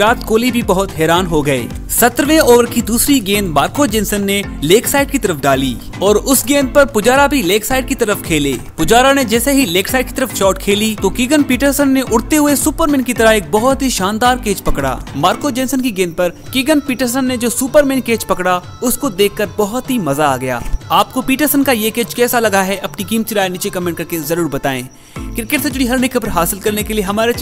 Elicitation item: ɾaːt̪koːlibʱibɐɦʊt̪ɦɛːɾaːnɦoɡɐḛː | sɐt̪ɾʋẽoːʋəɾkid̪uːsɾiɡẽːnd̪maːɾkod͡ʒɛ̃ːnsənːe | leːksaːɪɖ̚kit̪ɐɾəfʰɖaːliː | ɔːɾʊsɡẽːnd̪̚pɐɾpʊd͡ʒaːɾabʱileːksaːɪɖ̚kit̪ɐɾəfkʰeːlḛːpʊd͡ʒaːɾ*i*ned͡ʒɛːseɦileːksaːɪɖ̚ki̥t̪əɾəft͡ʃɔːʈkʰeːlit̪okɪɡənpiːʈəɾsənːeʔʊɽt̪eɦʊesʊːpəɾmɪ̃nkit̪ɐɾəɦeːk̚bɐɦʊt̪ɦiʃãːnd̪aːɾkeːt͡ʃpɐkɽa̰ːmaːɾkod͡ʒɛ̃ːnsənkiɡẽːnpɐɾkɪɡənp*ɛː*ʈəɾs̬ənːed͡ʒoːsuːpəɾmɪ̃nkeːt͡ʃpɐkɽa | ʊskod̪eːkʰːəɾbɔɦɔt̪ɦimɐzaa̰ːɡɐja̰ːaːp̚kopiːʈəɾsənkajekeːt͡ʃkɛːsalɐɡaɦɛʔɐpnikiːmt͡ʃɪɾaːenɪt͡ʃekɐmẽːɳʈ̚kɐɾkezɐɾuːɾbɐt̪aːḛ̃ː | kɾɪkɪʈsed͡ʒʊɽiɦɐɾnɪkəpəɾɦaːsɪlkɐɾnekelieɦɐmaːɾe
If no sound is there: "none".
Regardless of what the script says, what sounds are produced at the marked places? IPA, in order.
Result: a, iː

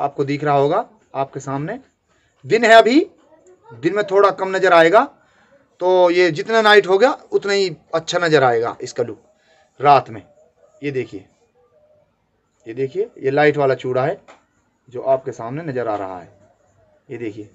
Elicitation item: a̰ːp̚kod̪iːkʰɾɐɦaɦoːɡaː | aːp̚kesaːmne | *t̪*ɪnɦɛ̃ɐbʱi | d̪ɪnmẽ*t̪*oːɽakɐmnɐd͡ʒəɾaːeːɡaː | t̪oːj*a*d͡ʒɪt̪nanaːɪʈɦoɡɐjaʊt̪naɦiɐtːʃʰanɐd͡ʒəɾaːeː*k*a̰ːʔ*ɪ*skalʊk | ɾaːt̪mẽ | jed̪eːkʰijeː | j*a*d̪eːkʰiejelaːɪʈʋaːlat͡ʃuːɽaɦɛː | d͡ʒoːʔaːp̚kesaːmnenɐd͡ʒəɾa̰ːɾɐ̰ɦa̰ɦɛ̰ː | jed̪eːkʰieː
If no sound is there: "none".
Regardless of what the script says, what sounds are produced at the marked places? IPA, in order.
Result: d̪, t̪ʰ, e, ɡ, ɪ, e

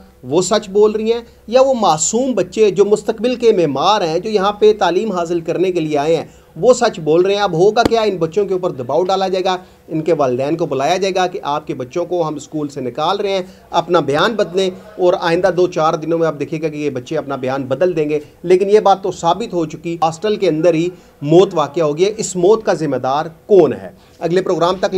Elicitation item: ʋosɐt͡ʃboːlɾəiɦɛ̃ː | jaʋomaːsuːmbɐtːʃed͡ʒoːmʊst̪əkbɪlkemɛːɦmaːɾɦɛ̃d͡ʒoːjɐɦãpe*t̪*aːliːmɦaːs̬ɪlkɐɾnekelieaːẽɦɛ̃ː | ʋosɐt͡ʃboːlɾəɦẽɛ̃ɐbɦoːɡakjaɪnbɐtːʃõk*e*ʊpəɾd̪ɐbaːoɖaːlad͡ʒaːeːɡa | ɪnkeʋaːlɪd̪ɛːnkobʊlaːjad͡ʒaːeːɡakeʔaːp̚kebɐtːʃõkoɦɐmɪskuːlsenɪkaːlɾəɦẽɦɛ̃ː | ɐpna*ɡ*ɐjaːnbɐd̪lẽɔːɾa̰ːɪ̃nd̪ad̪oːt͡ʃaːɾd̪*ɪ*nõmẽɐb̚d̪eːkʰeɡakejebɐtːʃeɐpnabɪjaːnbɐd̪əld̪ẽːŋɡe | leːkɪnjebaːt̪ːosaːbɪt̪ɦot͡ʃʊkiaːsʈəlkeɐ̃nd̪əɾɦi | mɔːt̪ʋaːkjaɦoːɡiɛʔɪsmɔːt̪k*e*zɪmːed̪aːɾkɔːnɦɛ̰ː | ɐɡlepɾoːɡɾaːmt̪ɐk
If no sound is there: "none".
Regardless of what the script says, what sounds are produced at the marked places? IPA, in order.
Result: t̪, e, b, ɪ, a

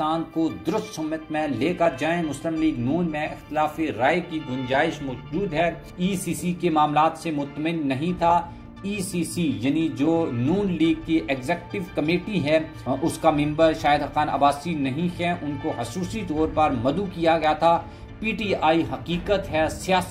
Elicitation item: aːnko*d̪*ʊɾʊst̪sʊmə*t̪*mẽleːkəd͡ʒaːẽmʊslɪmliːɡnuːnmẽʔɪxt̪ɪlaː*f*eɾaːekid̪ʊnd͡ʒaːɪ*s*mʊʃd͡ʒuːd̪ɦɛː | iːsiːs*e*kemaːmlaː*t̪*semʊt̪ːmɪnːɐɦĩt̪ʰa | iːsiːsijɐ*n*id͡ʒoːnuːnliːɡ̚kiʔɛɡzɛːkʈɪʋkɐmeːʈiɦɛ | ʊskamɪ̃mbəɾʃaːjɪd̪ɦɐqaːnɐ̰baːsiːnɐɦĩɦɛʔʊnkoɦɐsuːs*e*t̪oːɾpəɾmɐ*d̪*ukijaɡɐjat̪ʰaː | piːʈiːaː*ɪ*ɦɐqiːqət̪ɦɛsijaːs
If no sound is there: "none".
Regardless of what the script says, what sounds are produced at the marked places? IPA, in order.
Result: d̪, t̪, f, ʃ, i, t̪, n, i, d̪, i

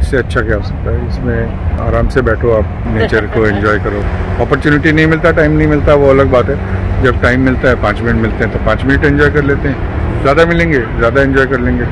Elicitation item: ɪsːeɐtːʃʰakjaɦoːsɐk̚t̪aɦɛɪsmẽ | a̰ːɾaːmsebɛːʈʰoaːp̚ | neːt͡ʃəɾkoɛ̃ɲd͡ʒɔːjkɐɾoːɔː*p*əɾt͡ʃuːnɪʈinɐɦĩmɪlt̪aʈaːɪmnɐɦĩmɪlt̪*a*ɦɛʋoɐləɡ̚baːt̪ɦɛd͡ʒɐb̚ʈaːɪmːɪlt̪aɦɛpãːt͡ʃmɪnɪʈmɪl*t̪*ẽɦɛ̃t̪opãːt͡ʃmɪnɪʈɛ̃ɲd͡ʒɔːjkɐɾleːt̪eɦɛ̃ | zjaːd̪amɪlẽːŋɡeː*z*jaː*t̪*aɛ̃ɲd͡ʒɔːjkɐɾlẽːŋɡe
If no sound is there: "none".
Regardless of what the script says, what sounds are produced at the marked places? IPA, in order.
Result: p, a, t̪, z, d̪

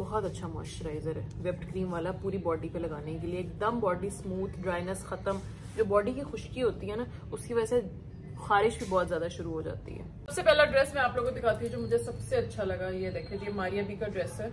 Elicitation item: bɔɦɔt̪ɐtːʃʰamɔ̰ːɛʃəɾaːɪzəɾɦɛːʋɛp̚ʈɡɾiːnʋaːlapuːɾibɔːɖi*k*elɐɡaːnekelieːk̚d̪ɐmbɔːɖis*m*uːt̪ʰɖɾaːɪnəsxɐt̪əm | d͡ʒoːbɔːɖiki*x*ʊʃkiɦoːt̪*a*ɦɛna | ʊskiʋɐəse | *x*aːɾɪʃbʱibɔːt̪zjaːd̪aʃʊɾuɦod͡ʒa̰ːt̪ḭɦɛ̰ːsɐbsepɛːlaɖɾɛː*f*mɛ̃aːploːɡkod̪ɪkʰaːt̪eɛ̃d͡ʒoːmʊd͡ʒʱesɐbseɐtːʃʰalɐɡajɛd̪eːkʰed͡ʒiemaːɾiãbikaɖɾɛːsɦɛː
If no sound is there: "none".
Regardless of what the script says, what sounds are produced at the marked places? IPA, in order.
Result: p, m, x, i, x, s

